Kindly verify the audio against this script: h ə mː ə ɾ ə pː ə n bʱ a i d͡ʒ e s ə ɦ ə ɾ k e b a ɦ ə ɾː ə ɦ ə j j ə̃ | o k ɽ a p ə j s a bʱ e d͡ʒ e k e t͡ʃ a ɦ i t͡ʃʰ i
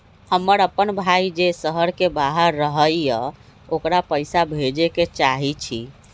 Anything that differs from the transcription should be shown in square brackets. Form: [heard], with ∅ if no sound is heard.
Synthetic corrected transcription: h ə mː ə ɾ ə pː ə n bʱ a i d͡ʒ e s ə ɦ ə ɾ k e b a ɦ ə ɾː ə ɦ ə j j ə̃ | o k [ɾ] a p ə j s a bʱ e d͡ʒ e k e t͡ʃ a ɦ i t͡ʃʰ i